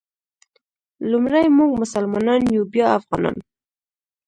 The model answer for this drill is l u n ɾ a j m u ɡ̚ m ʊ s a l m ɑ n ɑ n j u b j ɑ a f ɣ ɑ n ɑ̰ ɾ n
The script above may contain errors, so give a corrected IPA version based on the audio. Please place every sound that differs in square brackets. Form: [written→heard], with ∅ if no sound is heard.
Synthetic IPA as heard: l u [n→m] ɾ a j m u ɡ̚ m ʊ s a l m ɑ n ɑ n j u b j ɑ a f ɣ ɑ n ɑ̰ [ɾ→∅] n